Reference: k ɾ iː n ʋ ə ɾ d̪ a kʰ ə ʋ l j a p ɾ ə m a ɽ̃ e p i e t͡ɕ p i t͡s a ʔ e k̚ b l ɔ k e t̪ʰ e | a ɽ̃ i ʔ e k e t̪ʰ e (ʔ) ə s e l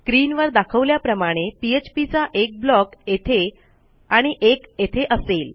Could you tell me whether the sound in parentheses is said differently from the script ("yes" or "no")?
no